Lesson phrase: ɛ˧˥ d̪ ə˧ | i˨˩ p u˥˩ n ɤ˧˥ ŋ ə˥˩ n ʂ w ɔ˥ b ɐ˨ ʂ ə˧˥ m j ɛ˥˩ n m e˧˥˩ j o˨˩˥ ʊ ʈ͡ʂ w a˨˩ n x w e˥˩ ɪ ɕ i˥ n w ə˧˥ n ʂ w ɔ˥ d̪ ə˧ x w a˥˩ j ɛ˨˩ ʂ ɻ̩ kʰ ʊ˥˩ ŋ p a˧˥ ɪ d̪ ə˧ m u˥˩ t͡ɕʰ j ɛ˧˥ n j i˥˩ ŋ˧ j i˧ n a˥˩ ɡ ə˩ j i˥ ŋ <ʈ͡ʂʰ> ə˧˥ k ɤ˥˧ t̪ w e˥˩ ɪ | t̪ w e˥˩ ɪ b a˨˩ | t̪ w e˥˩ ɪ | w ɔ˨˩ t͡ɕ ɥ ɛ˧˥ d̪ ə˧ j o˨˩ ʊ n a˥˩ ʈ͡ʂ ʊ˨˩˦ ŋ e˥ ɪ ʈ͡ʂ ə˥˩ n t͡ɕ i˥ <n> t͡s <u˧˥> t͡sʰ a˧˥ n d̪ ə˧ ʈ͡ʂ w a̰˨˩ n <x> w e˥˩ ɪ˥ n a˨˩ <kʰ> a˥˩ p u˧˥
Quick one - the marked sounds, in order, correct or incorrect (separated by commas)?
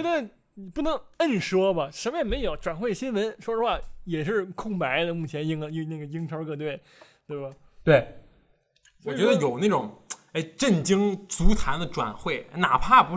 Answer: correct, incorrect, correct, correct, incorrect